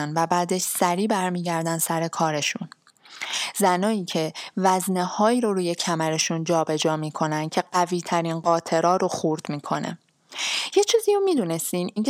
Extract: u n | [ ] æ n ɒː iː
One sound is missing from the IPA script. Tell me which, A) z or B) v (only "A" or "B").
A